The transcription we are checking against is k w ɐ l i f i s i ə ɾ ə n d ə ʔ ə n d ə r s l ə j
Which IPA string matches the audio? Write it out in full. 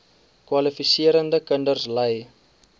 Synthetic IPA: k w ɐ l i f i s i ə ɾ ə n d ə k ə n d ə r s l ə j

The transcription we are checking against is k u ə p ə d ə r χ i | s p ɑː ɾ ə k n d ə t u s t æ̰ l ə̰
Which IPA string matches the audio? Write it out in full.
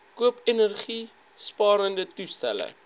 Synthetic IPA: k u ə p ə n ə r χ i | s p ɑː ɾ ə n d ə t u s t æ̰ l ə̰

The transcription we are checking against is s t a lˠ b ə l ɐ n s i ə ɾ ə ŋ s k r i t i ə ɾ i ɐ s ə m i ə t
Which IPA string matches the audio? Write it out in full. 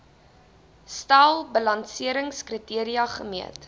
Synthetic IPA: s t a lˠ b ə l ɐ n s i ə ɾ ə ŋ s k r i t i ə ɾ i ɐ χ ə m i ə t

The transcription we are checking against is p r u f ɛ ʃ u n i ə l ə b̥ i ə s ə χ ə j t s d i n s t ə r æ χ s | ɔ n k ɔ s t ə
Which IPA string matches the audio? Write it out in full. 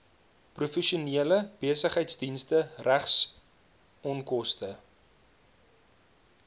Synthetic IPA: p r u f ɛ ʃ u n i ə l ə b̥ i ə s ə χ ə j t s d i n s t ə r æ χ s | ɔ n k ɔ s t ə

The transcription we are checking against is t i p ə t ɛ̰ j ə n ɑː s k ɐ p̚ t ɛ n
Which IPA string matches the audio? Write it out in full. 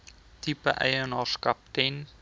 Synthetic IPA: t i p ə ʔ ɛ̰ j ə n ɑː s k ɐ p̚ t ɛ n

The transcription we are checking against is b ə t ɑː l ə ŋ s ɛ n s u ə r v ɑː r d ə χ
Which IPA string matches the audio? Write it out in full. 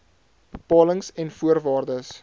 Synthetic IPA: b ə p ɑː l ə ŋ s ɛ n f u ə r v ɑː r d ə s

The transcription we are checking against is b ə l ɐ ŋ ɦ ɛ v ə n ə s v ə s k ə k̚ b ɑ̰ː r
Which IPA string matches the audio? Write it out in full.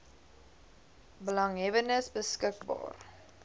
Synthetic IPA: b ə l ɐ ŋ ɦ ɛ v ə n ə s b ə s k ə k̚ b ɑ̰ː r

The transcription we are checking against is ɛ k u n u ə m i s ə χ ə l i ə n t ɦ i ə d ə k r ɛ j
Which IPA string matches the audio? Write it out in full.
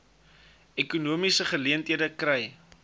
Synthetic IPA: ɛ k u n u ə m i s ə χ ə l i ə n t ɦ i ə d ə k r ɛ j

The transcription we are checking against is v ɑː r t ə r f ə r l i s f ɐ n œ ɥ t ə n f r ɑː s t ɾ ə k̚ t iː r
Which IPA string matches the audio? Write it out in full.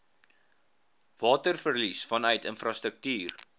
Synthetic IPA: v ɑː t ə r f ə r l i s f ɐ n œ ɥ t ə n f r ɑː s t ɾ ə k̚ t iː r

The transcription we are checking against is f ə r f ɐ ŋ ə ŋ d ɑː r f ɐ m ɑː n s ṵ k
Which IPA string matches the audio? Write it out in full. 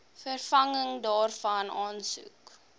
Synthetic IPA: f ə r f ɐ ŋ ə ŋ d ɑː r f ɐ n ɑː n s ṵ k

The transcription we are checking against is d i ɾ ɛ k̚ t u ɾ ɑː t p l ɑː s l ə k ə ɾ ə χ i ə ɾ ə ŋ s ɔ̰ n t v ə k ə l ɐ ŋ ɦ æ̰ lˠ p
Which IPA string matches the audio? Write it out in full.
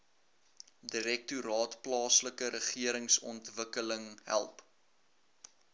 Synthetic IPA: d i ɾ ɛ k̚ t u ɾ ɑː t p l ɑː s l ə k ə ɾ ə χ i ə ɾ ə ŋ s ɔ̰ n t v ə k ə l ə ŋ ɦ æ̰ lˠ p

